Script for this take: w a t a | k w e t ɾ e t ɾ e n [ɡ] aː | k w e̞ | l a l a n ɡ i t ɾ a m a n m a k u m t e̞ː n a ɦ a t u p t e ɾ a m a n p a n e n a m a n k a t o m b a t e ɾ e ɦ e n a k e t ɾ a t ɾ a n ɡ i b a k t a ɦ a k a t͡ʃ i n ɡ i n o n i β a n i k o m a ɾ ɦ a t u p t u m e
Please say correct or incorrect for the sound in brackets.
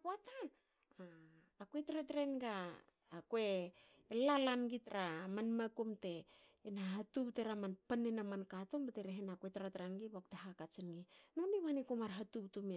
correct